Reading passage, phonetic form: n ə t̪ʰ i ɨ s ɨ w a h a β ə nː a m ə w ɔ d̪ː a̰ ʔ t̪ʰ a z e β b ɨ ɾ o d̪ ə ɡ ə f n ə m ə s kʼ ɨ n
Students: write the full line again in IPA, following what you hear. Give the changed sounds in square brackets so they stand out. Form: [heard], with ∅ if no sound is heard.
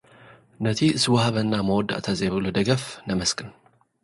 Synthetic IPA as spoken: n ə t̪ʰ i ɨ s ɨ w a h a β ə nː a m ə w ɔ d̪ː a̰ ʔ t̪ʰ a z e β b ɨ [l] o d̪ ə ɡ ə f n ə m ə s kʼ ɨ n